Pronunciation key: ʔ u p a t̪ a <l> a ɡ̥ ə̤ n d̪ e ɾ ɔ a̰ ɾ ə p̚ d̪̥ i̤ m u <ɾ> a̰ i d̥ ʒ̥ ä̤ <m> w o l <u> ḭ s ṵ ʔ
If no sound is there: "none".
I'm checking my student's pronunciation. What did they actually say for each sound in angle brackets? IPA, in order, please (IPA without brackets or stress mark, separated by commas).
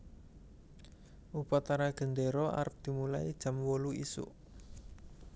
ɾ, l, m, u